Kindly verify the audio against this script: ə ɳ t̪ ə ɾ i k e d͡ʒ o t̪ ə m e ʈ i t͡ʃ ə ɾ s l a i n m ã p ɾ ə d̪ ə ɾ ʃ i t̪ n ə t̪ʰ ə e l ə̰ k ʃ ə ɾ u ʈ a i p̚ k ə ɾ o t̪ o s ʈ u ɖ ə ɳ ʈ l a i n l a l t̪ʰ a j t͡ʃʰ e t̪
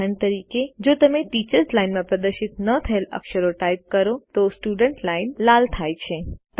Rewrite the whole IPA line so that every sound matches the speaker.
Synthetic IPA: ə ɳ t̪ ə ɾ i k e d͡ʒ o t̪ ə m e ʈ i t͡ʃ ə ɾ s l a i n m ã p ɾ ə d̪ ə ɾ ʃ i t̪ n ə t̪ʰ ə e l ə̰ k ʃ ə ɾ o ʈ a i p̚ k ə ɾ o t̪ o s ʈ u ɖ ə ɳ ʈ l a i n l a l t̪ʰ a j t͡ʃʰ e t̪

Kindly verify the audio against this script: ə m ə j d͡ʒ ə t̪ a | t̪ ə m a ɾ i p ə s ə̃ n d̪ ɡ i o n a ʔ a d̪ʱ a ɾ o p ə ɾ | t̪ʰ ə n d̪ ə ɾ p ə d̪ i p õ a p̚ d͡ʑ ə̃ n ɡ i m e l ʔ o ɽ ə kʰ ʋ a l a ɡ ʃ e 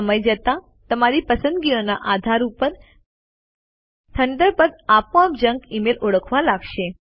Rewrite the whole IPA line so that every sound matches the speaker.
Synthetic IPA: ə m ə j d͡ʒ ə t̪ a | t̪ ə m a ɾ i p ə s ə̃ n d̪ ɡ i o n a ʔ a d̪ʱ a ɾ u p ə ɾ | t̪ʰ ə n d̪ ə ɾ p ə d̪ a p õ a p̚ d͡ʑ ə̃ ŋ ɡ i m e l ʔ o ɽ ə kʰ ʋ a l a ɡ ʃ e

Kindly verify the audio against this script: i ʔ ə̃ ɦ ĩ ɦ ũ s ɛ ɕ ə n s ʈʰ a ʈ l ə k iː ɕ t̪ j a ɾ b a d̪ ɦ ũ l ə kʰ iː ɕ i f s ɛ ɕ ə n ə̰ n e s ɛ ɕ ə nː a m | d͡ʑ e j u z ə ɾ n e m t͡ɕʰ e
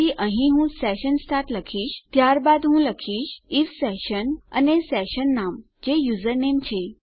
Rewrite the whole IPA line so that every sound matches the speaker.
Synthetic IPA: i ʔ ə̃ ɦ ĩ ɦ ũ s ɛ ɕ ə n s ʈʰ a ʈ l ə kʰ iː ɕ t̪ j a ɾ b a d̪ ɦ ũ l ə kʰ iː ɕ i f s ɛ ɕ ə n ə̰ n e s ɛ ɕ ə nː a m | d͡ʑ e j u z ə ɾ n e m t͡ɕʰ e

